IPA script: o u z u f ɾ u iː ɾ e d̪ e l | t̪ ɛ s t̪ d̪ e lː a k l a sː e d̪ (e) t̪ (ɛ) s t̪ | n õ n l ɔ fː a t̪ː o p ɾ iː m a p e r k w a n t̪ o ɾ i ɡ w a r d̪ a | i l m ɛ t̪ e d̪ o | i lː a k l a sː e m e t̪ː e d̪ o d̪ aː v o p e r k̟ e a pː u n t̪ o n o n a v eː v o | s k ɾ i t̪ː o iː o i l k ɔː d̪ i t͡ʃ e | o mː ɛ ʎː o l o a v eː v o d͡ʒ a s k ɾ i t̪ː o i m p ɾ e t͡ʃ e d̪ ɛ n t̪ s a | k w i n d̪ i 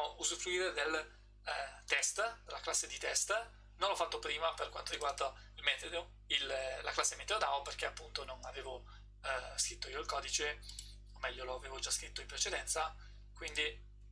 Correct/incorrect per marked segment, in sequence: incorrect: i, correct

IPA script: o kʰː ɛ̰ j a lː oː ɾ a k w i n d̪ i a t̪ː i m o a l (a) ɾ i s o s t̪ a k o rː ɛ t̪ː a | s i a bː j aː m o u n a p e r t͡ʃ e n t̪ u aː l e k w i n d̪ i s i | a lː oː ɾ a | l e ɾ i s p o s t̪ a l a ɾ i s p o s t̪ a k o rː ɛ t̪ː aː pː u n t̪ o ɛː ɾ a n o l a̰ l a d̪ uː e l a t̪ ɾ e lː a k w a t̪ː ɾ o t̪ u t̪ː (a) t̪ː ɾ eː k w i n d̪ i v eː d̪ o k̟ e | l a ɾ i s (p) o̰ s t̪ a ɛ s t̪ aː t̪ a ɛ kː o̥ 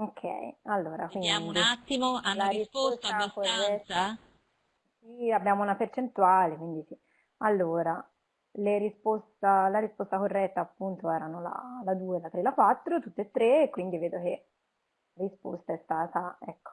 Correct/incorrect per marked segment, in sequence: correct, incorrect: e, correct

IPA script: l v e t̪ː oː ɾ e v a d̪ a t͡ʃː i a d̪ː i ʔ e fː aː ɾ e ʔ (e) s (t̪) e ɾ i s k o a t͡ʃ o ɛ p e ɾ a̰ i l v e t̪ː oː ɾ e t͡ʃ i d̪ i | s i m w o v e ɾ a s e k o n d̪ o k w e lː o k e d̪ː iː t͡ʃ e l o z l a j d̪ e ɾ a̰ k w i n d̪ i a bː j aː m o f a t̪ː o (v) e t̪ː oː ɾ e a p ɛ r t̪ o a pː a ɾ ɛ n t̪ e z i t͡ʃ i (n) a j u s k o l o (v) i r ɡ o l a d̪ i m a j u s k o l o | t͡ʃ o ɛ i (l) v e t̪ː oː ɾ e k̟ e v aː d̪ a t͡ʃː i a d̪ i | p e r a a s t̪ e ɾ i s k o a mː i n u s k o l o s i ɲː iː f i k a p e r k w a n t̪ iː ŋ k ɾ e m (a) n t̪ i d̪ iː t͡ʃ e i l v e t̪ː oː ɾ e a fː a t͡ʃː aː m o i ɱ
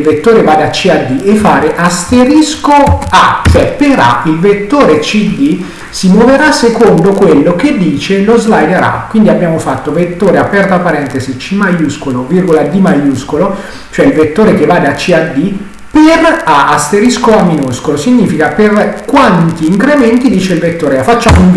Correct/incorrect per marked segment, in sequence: incorrect: a, correct, correct, incorrect: m, correct, correct, incorrect: ɛ

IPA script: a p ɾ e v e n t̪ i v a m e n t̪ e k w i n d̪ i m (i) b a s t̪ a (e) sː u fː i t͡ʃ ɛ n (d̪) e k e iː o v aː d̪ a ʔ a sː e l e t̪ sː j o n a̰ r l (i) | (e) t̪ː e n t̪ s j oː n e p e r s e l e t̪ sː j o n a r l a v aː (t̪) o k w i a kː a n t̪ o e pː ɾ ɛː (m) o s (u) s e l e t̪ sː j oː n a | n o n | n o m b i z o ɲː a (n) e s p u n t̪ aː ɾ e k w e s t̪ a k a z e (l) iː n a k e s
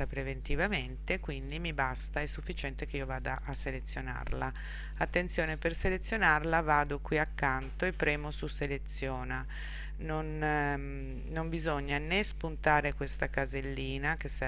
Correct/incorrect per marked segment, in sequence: correct, incorrect: ɛ, incorrect: t̪, incorrect: a, incorrect: a, incorrect: d̪, correct, correct, correct, incorrect: lː

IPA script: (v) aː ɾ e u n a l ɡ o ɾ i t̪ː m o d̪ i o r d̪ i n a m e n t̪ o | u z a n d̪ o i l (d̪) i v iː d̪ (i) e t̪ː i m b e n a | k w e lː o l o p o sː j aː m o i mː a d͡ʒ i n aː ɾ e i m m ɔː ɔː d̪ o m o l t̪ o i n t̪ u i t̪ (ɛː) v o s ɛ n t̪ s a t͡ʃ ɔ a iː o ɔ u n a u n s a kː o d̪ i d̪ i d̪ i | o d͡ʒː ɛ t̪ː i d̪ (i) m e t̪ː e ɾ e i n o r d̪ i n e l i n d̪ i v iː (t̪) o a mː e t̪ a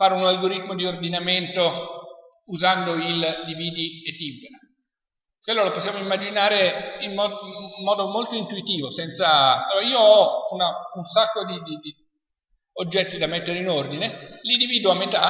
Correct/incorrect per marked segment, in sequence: incorrect: f, correct, correct, incorrect: iː, incorrect: a, incorrect: d̪

